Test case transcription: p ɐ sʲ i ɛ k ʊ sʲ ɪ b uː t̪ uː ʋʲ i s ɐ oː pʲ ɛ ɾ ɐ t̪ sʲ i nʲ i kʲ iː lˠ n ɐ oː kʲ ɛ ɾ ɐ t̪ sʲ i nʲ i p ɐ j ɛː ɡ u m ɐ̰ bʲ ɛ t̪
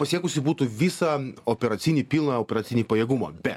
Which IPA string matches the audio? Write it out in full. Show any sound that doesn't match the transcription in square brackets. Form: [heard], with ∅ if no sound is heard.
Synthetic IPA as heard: p ɐ sʲ i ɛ k ʊ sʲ ɪ b uː t̪ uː ʋʲ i s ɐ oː pʲ ɛ ɾ ɐ t̪ sʲ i nʲ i [pʲ] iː lˠ n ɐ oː [pʲ] ɛ ɾ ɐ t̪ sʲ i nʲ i p ɐ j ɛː ɡ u m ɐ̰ bʲ ɛ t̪

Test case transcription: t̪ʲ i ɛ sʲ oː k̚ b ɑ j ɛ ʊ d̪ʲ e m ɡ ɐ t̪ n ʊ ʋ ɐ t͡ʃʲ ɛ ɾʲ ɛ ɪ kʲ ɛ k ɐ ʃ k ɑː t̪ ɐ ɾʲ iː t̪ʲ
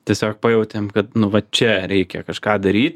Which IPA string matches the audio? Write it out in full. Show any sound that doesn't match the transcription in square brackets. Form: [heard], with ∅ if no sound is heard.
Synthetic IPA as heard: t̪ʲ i ɛ sʲ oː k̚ [p] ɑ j ɛ ʊ [t̪ʲ] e m [k] ɐ t̪ n ʊ ʋ ɐ t͡ʃʲ ɛ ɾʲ ɛ ɪ kʲ ɛ k ɐ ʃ k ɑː [d̪] ɐ ɾʲ iː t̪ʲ

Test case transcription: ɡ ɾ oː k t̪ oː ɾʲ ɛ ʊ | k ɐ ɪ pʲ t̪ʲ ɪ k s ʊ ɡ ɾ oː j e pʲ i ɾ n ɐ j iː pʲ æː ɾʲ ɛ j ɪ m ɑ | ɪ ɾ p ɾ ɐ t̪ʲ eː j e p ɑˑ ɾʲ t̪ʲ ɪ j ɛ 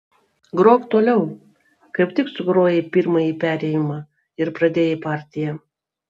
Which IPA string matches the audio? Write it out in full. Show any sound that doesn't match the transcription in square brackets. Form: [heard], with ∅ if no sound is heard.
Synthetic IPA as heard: ɡ ɾ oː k t̪ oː [lʲ] ɛ ʊ | k ɐ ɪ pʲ t̪ʲ ɪ k s ʊ ɡ ɾ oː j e pʲ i ɾ [m] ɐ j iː pʲ æː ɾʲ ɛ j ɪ m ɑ | ɪ ɾ p ɾ ɐ [d̪ʲ] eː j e p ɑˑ ɾʲ t̪ʲ ɪ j ɛ

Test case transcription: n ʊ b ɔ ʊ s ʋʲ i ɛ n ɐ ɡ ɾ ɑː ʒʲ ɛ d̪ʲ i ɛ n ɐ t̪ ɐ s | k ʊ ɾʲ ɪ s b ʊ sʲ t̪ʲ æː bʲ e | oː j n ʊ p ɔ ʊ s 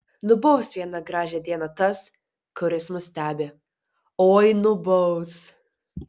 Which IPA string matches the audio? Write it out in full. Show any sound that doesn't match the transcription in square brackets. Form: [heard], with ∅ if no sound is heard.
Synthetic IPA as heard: n ʊ b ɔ ʊ s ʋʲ i ɛ n ɐ ɡ ɾ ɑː ʒʲ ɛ d̪ʲ i ɛ n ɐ t̪ ɐ s | k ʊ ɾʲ ɪ s [m] ʊ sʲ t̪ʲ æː bʲ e | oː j n ʊ [b] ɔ ʊ s

